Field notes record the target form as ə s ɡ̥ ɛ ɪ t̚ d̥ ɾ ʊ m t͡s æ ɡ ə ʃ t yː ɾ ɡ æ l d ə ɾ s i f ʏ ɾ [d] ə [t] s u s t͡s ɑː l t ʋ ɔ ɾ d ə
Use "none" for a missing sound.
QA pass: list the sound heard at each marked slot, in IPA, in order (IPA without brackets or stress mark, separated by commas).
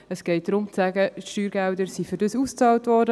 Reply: d, none